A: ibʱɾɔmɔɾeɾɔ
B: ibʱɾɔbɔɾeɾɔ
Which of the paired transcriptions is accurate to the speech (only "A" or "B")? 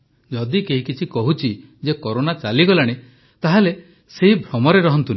A